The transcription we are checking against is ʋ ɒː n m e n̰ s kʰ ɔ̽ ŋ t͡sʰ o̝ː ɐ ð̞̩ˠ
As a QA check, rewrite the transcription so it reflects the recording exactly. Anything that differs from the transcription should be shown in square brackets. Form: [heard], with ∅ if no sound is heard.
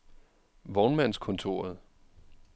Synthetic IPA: ʋ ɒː n m [æ] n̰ s kʰ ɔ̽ [n] t͡sʰ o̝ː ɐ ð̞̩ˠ